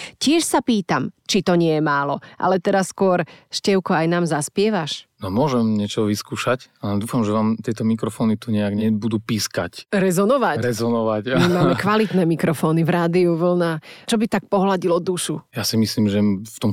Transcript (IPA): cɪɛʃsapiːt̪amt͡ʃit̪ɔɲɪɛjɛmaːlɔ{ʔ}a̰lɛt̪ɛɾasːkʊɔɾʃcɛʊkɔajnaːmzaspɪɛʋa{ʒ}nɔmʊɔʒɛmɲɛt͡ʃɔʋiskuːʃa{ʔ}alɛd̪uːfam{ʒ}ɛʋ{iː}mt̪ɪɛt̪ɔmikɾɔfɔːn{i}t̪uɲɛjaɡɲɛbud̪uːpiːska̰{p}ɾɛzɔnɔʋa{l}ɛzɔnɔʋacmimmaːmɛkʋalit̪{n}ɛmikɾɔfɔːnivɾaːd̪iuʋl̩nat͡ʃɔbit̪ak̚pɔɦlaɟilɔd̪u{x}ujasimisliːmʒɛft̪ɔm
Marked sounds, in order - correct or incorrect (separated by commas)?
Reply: correct, incorrect, incorrect, correct, incorrect, correct, incorrect, incorrect, correct, incorrect